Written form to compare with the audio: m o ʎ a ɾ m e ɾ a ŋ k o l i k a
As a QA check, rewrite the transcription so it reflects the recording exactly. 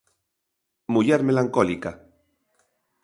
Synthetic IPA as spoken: m u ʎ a ɾ m e l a ŋ k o l i k a